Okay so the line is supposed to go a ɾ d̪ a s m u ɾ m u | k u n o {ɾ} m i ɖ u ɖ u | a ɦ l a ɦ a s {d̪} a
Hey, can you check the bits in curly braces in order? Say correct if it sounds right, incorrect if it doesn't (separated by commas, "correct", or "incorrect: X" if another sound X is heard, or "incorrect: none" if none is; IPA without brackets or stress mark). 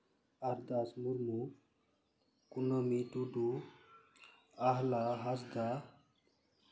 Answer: incorrect: none, correct